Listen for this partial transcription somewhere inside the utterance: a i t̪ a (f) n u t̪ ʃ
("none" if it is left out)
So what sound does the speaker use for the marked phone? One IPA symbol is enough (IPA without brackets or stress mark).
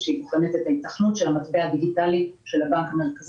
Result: χ